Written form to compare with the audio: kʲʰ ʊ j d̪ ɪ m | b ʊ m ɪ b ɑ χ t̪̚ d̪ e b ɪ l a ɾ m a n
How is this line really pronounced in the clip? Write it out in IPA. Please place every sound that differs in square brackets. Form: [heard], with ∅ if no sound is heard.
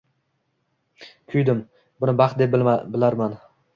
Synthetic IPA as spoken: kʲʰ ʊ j d̪ ɪ m | b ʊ [n] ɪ b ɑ χ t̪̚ d̪ e b ɪ l a ɾ m a n